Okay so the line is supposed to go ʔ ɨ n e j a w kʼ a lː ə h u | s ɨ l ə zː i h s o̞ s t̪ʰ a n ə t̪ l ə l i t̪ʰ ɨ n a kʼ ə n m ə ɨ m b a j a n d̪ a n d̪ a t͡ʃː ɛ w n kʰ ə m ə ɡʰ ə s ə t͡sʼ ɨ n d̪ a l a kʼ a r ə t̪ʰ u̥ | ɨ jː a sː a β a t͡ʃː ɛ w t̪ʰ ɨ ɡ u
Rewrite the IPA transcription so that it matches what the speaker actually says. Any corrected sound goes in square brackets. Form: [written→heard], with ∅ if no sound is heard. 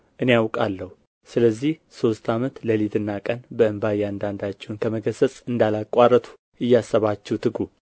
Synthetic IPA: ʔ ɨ n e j a w kʼ a lː ə h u | s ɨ l ə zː i h s o̞ s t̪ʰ a [n→m] ə t̪ l ə l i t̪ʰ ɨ [n→nː] a kʼ ə n [m→b] ə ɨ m b a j a n d̪ a n d̪ a t͡ʃː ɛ w n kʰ ə m ə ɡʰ ə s ə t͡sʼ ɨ n d̪ a l a kʼ a r ə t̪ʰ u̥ | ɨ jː a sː [a→ə] β a t͡ʃː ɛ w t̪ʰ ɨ ɡ u